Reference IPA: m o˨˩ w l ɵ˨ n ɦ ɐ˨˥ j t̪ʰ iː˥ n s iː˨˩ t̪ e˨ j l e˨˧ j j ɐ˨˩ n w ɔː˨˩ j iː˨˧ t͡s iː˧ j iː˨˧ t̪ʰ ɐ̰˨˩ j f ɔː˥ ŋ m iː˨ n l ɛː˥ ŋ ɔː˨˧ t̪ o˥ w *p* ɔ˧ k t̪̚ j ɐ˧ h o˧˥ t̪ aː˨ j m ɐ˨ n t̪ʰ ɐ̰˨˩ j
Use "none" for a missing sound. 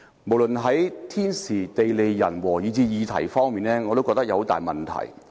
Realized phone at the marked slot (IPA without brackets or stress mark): k